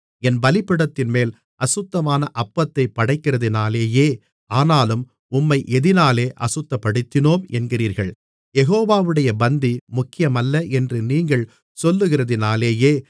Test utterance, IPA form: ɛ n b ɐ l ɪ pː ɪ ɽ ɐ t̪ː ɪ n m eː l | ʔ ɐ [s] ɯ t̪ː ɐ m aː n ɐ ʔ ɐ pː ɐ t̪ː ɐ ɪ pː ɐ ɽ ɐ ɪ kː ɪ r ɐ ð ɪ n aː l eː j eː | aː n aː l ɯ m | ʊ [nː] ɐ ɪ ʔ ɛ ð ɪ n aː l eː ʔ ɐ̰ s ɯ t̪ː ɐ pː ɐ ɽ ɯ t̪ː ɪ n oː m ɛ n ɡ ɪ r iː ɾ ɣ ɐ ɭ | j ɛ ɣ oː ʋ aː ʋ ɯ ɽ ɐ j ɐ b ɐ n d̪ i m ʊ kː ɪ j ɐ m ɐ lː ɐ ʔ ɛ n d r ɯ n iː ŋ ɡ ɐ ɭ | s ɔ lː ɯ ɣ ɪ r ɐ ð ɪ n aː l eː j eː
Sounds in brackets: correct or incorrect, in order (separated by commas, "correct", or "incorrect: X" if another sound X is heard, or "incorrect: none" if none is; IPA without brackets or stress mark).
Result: correct, incorrect: mː